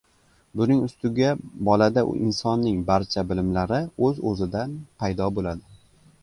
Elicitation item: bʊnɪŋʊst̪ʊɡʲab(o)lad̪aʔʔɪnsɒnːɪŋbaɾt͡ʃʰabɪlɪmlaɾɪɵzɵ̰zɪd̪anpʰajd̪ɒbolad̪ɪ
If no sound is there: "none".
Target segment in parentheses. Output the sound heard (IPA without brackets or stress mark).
ɒ